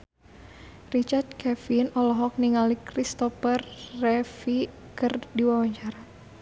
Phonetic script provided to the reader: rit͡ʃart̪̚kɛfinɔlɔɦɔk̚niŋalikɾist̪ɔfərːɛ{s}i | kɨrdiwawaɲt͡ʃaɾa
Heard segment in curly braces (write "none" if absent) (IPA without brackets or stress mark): f